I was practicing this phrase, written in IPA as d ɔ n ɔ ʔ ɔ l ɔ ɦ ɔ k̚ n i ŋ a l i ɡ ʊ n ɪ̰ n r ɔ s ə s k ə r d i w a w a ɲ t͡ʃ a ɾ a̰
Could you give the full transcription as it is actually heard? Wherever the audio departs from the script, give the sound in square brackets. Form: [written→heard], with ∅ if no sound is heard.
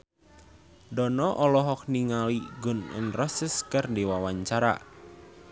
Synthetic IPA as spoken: d ɔ n ɔ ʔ ɔ l ɔ ɦ ɔ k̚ n i ŋ a l i ɡ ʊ n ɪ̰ n r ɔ s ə s k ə r d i w a w a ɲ t͡ʃ a ɾ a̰